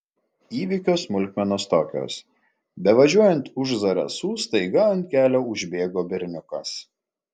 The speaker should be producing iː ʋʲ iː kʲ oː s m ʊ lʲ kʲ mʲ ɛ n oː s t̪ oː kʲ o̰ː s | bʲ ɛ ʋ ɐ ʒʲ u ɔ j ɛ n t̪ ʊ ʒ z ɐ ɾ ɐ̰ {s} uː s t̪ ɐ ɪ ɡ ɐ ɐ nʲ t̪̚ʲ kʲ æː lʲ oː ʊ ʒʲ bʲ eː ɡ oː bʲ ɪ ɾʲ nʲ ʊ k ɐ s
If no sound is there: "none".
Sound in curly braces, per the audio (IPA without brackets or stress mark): s